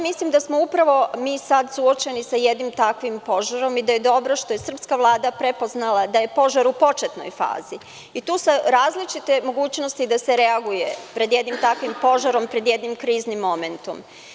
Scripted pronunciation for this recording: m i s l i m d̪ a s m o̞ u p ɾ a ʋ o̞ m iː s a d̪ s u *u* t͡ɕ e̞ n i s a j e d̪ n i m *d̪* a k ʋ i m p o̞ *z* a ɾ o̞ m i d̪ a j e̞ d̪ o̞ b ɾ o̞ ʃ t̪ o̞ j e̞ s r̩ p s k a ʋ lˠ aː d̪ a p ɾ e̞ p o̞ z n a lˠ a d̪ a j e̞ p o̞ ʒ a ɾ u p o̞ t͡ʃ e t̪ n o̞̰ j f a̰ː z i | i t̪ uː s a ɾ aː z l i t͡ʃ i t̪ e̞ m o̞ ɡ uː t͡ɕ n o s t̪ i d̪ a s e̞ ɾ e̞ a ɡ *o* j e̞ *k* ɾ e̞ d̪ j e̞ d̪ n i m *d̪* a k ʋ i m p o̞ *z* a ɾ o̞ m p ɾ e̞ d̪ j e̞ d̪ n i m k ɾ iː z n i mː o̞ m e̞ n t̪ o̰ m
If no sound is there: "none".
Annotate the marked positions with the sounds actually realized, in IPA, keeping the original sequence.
o, t̪, ʒ, u, p, t̪, ʒ

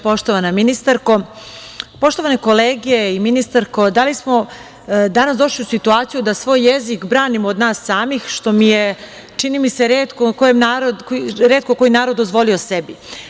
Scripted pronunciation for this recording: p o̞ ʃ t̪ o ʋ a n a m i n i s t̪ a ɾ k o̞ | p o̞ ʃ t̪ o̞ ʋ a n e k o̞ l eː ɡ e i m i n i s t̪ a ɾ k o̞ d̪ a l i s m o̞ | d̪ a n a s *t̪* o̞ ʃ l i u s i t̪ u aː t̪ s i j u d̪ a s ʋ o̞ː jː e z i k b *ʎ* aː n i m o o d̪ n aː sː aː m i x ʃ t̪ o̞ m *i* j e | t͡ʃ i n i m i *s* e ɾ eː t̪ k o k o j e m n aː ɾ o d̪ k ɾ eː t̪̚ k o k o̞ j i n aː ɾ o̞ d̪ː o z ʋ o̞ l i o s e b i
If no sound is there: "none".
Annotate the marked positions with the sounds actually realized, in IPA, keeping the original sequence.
d̪, ɾ, i, s

